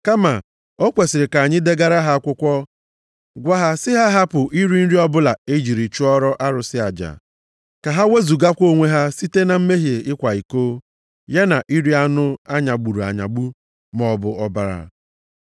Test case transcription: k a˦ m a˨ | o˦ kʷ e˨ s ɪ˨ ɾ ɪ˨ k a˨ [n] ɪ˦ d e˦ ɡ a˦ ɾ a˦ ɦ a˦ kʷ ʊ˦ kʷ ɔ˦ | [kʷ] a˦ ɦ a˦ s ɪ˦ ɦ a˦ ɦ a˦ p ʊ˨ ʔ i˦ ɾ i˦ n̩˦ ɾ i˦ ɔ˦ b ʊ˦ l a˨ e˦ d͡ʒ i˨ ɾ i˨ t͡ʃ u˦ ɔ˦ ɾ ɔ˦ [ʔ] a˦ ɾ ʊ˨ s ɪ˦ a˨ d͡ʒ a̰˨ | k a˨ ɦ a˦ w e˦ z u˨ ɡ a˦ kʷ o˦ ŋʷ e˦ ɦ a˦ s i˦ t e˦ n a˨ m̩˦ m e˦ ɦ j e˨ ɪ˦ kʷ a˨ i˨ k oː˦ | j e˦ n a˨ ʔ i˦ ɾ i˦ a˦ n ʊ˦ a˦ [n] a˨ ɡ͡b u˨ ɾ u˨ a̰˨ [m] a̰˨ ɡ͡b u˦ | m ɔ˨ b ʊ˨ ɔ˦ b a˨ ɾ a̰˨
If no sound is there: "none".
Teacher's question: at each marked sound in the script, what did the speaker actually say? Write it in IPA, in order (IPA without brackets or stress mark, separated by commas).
ɲ, ɡʷ, ʔ, ɲ, ɲ